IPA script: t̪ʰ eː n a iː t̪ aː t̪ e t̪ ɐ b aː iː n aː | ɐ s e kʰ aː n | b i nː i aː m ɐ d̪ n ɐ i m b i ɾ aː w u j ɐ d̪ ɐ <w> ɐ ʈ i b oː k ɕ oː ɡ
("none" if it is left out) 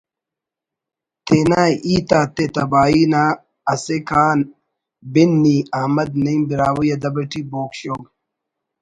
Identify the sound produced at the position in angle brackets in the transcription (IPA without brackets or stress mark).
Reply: b